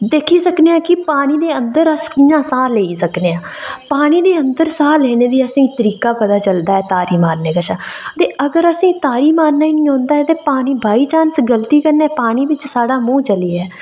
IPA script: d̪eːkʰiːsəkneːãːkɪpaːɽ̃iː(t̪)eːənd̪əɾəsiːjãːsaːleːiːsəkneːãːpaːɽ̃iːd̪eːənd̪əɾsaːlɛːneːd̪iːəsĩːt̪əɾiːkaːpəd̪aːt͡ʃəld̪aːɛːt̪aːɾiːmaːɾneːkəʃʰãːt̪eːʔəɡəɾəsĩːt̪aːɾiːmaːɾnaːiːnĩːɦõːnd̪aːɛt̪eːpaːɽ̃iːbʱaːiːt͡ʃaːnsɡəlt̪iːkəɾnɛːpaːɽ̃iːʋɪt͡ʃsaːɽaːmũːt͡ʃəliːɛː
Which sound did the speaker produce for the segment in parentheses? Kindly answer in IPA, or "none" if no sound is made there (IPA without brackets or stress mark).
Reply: d̪